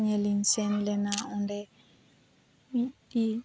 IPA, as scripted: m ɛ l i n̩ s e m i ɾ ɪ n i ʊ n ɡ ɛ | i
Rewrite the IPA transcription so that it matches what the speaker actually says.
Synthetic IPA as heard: ɲ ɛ l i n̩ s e n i l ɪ n a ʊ n d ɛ | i